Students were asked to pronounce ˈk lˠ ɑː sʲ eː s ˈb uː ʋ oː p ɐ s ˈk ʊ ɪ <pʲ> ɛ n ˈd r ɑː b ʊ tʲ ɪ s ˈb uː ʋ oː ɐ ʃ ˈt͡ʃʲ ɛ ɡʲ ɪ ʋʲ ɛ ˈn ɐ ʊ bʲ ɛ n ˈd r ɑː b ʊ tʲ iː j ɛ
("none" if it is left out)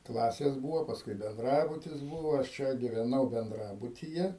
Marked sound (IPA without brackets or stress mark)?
bʲ